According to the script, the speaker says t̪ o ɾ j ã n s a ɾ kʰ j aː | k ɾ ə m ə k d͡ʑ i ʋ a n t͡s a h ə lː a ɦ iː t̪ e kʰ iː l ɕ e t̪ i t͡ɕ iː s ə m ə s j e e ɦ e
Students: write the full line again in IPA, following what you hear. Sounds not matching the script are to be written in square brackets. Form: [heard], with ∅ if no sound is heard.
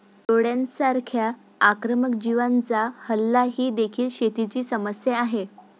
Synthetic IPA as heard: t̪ o [ɽ] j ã n s a ɾ kʰ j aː | k ɾ ə m ə k d͡ʑ i ʋ a n t͡s a h ə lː a ɦ iː [d̪] e kʰ iː l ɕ e t̪ i t͡ɕ iː s ə m ə s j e [a] ɦ e

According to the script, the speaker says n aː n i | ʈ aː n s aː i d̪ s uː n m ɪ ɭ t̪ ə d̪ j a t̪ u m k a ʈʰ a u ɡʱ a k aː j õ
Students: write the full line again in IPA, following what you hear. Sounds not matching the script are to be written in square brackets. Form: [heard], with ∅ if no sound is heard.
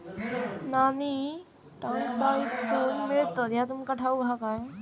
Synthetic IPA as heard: n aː n i | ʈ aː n s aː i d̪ s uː n m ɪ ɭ t̪ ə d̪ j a t̪ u m k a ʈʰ a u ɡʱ a k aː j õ

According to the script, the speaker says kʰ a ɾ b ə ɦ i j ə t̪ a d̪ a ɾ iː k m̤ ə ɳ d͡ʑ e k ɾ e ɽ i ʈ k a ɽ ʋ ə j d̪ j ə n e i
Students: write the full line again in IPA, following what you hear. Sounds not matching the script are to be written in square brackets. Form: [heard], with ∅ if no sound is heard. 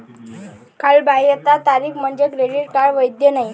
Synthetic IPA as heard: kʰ a [l] b [a] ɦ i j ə t̪ a [t̪] a ɾ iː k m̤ ə ɳ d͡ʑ e k ɾ e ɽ i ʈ k a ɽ ʋ ə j d̪ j ə n [a] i

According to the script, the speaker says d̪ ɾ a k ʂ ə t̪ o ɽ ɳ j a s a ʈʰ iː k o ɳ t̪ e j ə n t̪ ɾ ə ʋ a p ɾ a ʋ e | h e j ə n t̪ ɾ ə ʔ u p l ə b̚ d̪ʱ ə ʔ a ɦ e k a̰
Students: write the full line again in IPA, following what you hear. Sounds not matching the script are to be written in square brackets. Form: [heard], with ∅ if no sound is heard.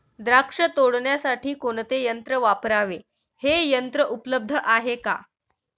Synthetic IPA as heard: d̪ ɾ a k ʂ ə t̪ o ɽ ɳ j a s a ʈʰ iː k o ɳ t̪ e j ə n t̪ ɾ ə ʋ a p ɾ a ʋ e | h e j ə n t̪ ɾ ə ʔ u p l ə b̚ d̪ʱ ə ʔ a ɦ e k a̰

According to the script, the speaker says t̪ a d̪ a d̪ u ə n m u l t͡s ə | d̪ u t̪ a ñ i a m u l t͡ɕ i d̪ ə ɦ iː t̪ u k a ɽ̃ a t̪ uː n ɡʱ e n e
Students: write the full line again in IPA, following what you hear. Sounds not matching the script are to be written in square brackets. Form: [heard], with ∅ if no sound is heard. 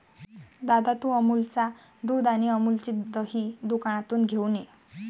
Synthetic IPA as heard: [d̪] a d̪ a [t̪] u ə [∅] m u l t͡s [a] | d̪ u [d̪] a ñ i [ə] m u l t͡ɕ i d̪ ə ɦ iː [d̪] u k a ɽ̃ a t̪ uː n ɡʱ e n e

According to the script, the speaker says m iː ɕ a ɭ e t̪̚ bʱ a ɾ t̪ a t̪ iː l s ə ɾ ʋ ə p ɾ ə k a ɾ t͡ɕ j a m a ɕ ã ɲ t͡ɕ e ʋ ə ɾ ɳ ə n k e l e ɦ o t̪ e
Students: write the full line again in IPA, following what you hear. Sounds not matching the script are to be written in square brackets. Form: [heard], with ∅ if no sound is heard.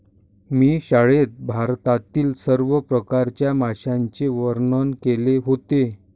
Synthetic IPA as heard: m iː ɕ a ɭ e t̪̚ bʱ a ɾ t̪ a t̪ iː l s ə ɾ ʋ ə p ɾ ə k a ɾ t͡ɕ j a m a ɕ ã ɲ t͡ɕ e ʋ ə ɾ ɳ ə n k e l e ɦ o t̪ e

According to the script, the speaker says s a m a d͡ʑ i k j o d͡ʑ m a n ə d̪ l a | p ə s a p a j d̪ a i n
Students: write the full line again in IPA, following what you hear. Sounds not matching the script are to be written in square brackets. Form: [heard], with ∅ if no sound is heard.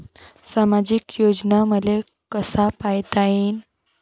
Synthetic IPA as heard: s a m a d͡ʑ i k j o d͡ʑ [n] a [m] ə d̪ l [e] | [k] ə s a p a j [t̪] a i n

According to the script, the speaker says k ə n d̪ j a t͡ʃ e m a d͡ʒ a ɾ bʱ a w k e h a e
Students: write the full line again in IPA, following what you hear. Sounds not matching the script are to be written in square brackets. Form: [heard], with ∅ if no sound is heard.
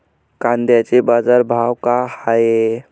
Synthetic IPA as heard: k [a] n d̪ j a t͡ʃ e [b] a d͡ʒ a ɾ bʱ a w k [a] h a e

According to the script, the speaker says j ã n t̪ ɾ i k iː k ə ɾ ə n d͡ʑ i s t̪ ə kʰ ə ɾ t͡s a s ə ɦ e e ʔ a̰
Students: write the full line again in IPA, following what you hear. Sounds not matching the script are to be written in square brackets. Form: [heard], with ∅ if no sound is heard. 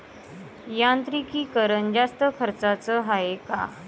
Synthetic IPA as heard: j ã n t̪ ɾ i k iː k ə ɾ ə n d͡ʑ [a] s t̪ ə kʰ ə ɾ t͡s a [t͡s] ə ɦ [a] e [k] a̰

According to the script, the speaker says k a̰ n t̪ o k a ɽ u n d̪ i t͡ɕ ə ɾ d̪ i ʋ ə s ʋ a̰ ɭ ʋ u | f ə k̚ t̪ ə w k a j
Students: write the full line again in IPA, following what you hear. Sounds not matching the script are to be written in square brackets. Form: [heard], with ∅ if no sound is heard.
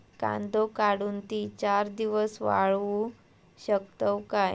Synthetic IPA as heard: k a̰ n [d̪] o k a ɽ u n [t̪] i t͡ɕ [a] ɾ d̪ i ʋ ə s ʋ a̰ ɭ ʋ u | [ɕ] ə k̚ t̪ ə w k a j

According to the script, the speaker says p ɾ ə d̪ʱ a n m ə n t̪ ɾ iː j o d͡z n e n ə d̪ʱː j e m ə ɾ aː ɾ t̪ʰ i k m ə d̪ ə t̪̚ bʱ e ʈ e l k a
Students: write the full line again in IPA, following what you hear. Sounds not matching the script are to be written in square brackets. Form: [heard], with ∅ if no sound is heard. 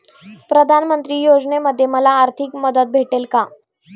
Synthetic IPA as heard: p ɾ ə d̪ʱ a n m ə n t̪ ɾ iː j o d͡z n e [m] ə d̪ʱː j e m ə [l] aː ɾ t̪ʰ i k m ə d̪ ə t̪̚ bʱ e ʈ e l k a

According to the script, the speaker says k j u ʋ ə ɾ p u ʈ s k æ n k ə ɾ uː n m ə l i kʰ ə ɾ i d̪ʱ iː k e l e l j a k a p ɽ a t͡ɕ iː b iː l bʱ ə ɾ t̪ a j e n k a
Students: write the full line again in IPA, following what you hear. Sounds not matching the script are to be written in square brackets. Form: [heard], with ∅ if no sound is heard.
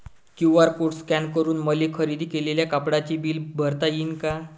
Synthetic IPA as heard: k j u ʋ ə ɾ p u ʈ s k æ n k ə ɾ uː n m ə l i kʰ ə ɾ i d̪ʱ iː k e l e l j a k a p ɽ a t͡ɕ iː b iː l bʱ ə ɾ t̪ a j [i] n k a

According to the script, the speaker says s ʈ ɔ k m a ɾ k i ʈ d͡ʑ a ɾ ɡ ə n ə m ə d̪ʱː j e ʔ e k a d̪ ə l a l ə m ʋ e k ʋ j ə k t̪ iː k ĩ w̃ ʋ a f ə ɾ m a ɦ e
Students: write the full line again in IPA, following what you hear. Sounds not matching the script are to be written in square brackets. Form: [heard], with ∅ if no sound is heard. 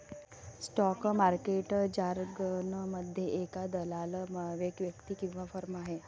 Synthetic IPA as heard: s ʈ ɔ k m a ɾ k [e] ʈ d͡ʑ a ɾ ɡ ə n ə m ə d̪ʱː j e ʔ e k a d̪ ə l a l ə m ʋ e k ʋ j ə k t̪ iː k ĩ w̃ ʋ a f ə ɾ m a ɦ e

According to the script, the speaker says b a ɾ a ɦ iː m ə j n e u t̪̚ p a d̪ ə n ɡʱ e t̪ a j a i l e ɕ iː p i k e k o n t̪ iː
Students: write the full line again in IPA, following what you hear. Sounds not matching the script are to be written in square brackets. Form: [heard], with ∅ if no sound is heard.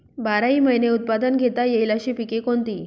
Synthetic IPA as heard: b a ɾ a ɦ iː m ə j n e u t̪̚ p a d̪ ə n ɡʱ e t̪ a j [e] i l [a] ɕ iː p i k e k o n t̪ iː

